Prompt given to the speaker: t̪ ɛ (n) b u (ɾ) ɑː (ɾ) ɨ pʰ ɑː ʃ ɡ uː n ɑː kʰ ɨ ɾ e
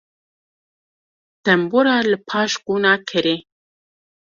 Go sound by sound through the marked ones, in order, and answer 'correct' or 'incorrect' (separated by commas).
incorrect, correct, incorrect